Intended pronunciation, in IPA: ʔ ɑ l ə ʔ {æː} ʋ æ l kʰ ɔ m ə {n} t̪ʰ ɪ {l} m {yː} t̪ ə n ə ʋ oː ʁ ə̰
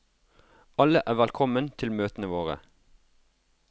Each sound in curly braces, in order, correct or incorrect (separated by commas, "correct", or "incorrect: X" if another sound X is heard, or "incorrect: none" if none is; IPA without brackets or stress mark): correct, correct, correct, incorrect: øː